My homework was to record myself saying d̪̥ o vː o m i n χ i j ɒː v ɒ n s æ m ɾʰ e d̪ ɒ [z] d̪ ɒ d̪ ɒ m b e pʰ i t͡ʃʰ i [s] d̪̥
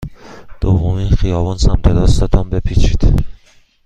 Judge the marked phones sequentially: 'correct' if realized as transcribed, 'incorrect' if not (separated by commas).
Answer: incorrect, incorrect